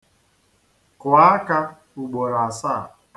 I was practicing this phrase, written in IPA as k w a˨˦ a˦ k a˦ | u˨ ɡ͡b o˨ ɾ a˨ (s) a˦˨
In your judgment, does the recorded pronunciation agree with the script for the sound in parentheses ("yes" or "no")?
yes